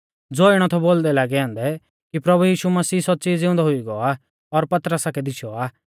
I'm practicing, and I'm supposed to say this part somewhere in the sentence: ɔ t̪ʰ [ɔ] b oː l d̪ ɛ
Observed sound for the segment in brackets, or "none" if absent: ɔ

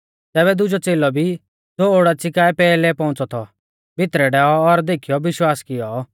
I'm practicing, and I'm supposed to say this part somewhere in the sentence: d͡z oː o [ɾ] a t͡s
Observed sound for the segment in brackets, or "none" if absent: ɽ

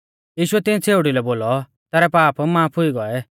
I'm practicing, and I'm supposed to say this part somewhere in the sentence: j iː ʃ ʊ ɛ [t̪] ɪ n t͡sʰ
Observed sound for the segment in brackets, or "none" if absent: t̪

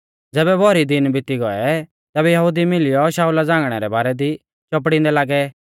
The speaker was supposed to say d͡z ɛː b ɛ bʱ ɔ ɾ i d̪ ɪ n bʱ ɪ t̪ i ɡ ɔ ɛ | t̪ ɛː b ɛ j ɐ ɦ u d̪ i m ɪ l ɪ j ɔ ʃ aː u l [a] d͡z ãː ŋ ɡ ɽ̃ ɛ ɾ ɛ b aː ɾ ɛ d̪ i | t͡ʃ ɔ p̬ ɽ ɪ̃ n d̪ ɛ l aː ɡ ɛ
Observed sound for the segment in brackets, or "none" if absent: a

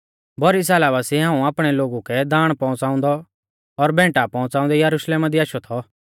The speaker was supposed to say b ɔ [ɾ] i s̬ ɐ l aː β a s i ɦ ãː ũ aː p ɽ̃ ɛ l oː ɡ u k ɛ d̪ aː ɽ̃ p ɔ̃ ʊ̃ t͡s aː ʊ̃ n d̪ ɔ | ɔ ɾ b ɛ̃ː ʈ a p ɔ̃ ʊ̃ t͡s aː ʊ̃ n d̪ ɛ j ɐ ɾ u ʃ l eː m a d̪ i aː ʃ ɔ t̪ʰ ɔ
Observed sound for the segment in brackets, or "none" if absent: ɾ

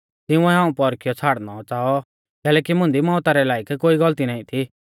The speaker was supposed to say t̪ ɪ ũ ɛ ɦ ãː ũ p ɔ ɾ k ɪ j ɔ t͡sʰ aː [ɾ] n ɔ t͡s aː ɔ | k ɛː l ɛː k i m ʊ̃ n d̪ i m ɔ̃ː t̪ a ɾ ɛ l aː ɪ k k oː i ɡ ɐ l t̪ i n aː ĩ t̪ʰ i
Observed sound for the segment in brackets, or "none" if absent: ɽ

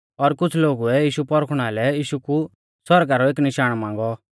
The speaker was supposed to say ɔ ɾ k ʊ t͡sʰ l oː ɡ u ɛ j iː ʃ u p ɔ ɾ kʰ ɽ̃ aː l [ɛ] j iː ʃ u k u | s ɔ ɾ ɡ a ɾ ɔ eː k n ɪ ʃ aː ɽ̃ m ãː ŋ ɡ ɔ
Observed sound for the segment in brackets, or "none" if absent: ɛ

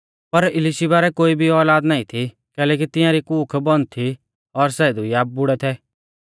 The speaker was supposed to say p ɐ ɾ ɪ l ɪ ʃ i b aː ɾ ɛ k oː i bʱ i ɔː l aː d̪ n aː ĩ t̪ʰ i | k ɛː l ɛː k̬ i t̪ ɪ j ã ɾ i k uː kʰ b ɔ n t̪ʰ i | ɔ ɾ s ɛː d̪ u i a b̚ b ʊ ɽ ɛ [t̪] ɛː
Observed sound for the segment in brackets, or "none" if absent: t̪ʰ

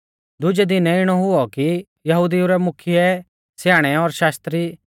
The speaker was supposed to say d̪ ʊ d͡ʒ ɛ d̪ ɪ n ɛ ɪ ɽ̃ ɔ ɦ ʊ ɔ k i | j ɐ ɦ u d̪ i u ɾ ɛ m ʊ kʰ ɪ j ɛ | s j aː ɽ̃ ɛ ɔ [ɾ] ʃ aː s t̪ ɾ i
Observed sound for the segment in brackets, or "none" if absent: ɾ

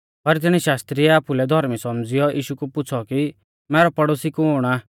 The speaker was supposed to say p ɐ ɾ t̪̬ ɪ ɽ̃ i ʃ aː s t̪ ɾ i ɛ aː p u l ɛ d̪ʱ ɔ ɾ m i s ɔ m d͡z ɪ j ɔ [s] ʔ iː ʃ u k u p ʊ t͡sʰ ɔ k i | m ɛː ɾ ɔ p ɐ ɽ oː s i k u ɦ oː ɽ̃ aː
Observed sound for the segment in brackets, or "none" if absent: none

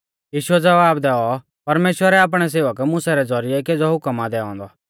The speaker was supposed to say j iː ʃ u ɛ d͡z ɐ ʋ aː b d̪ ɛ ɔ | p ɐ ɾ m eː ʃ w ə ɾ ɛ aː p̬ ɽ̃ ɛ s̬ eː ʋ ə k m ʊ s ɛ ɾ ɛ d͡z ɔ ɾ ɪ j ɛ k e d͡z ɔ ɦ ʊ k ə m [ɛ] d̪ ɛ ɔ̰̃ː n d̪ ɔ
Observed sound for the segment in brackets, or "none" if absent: a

